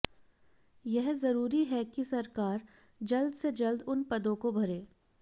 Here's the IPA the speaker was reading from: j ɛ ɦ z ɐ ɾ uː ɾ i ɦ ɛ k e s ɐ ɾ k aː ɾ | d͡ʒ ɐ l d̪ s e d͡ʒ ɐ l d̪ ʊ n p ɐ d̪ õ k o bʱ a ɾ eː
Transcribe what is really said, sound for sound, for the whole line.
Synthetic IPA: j ɛ ɦ z ɐ ɾ uː ɾ i ɦ ɛ k i s ɐ ɾ k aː ɾ | d͡ʒ ɐ l d̪ s e d͡ʒ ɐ l d̪ ʊ n p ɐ d̪ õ k o bʱ ɐ ɾ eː